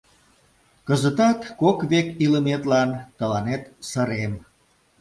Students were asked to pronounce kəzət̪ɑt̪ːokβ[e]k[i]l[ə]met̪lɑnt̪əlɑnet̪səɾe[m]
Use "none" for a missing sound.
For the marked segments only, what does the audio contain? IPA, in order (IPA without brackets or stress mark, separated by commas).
e, i, ə, m